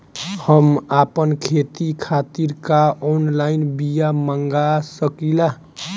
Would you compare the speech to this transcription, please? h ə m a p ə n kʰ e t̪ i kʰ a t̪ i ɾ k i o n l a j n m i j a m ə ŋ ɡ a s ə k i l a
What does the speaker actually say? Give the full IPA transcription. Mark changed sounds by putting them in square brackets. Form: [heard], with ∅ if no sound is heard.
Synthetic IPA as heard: h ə m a p ə n kʰ e t̪ i kʰ a t̪ i ɾ k [a] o n l a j n [b] i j a m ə ŋ ɡ a s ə k i l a